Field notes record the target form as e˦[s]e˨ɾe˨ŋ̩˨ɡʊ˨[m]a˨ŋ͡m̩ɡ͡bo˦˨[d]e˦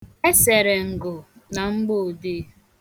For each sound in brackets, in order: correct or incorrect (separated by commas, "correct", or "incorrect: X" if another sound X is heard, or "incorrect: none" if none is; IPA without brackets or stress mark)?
correct, incorrect: n, correct